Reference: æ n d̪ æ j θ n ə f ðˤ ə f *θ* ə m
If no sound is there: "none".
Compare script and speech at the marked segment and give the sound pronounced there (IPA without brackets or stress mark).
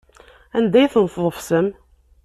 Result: s